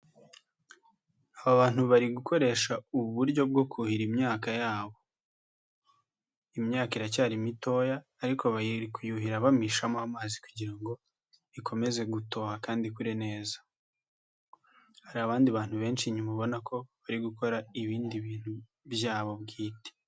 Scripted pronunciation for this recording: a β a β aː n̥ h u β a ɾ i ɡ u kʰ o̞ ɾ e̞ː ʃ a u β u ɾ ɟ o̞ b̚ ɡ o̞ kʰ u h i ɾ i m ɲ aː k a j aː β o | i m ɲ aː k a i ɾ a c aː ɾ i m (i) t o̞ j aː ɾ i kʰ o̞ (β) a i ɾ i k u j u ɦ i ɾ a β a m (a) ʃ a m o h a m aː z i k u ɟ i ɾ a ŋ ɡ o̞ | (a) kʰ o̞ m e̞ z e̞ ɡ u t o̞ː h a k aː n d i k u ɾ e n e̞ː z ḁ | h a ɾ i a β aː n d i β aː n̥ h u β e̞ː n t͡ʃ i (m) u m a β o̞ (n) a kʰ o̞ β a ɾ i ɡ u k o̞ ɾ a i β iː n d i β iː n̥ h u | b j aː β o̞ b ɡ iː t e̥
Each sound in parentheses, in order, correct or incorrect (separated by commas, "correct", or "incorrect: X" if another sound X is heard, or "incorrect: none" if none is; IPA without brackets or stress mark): correct, correct, incorrect: i, incorrect: i, incorrect: ɲ, correct